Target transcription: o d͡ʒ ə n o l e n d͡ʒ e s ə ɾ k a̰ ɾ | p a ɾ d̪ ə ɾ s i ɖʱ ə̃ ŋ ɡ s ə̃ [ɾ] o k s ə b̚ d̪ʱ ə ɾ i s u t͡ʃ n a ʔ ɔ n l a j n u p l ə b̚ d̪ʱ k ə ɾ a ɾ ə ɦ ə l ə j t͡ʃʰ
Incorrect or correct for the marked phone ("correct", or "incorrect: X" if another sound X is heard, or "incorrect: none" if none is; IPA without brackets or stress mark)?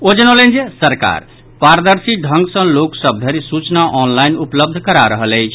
incorrect: l